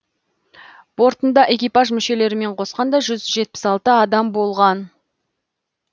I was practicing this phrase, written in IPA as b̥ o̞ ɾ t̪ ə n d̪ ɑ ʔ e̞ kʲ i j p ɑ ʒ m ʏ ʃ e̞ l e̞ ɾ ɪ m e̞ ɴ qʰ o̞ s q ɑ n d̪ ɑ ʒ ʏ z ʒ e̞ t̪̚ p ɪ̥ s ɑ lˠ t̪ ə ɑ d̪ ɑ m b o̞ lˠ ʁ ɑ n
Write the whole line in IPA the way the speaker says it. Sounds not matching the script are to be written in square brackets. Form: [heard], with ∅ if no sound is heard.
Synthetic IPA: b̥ o̞ ɾ t̪ ə n d̪ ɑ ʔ e̞ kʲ i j p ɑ ʒ m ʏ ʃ e̞ l e̞ ɾ ɪ m e̞ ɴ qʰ o̞ s q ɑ n d̪ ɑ ʒ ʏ z ʒ e̞ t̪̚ p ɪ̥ s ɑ lˠ t̪ ə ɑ d̪ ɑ m b o̞ lˠ ʁ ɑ n